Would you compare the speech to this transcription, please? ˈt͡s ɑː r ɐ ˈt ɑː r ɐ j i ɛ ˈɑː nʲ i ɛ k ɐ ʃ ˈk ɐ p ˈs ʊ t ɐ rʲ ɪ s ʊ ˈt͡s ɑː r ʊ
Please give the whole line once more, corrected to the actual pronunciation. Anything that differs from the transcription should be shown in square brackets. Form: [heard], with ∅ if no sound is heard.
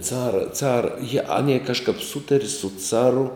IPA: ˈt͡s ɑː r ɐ [ˈt͡s] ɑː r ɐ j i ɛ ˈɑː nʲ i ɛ k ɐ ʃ ˈk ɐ p ˈs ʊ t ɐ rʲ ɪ s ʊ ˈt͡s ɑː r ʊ